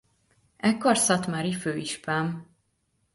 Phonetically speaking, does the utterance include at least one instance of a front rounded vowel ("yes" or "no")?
yes